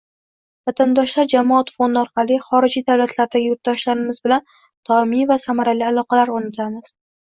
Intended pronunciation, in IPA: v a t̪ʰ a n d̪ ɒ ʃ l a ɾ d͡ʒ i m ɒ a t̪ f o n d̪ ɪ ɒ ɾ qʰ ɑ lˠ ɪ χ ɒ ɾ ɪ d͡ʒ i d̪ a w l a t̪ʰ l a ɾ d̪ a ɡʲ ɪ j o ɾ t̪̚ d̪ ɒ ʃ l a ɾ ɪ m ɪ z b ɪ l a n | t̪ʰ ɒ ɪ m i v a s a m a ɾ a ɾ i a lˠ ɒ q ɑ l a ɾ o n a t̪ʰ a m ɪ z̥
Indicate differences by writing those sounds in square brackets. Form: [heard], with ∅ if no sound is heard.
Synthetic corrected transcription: v a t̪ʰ a n d̪ ɒ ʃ l a ɾ d͡ʒ [a] m ɒ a t̪ f o n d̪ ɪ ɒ ɾ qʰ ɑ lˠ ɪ χ ɒ ɾ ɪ d͡ʒ i d̪ a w l a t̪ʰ l a ɾ d̪ a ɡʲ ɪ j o ɾ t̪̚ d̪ ɒ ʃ l a ɾ ɪ m ɪ z b ɪ l a n | t̪ʰ ɒ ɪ m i v a s a m a ɾ a [l] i a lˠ ɒ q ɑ l a ɾ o n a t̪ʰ a m ɪ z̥